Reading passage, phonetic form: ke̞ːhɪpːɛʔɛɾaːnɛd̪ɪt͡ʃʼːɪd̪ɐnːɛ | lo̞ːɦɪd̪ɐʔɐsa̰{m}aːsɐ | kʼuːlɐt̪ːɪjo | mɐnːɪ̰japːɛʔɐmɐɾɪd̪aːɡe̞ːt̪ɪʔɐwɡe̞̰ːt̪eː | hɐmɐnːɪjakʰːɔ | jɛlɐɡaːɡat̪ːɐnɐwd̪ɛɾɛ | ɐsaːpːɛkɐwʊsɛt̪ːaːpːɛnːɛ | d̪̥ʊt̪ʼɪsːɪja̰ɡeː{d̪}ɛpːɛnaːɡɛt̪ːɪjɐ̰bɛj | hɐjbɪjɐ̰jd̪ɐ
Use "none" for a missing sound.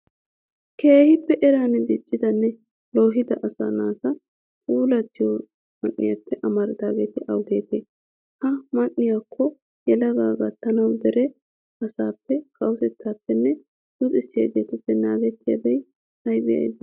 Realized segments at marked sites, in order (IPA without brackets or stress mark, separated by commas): n, t̪